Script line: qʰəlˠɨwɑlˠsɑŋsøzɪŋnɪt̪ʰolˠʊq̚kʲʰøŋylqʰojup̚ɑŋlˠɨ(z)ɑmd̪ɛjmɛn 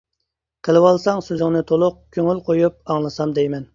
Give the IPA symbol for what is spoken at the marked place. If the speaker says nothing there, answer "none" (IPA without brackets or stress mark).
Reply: s